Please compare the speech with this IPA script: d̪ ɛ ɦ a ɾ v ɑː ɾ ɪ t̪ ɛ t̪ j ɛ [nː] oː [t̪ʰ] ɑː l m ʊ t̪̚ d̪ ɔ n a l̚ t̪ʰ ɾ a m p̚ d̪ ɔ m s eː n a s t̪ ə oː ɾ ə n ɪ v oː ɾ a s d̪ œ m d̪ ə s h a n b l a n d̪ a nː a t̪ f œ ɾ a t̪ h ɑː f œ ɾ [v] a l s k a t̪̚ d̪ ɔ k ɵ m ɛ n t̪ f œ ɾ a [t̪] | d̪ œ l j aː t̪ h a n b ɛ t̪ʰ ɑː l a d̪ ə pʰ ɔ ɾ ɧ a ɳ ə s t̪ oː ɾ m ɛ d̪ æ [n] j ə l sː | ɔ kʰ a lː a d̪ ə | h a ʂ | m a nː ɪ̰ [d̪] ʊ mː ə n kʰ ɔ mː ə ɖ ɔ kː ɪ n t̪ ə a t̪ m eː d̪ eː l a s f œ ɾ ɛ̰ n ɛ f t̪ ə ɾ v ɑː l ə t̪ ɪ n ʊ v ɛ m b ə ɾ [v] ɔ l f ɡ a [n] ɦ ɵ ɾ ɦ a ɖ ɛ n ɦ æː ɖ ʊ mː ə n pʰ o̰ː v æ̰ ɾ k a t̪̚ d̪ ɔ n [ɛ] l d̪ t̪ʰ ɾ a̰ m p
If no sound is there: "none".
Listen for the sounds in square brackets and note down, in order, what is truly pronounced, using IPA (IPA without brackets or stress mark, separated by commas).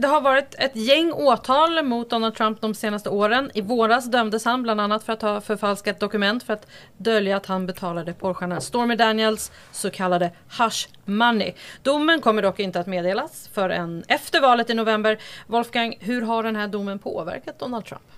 ŋː, t̪ʰ, f, t̪, n, d̪, v, ŋ, a